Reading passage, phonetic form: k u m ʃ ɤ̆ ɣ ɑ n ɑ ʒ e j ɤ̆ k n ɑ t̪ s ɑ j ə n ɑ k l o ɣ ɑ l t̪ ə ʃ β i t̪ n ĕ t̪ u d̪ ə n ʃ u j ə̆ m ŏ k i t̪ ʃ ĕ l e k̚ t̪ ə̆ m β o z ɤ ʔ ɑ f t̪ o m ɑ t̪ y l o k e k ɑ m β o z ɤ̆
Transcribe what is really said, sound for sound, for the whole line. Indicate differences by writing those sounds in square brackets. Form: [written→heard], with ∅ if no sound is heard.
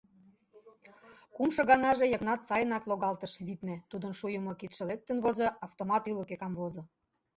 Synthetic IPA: k u m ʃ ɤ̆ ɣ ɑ n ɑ ʒ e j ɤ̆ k n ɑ t̪ s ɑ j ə n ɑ k l o ɣ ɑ l t̪ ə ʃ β i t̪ n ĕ t̪ u d̪ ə n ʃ u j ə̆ m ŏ k i t̪ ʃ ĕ l e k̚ t̪ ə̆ [m→n] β o z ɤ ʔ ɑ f t̪ o m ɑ t̪ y l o k e k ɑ m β o z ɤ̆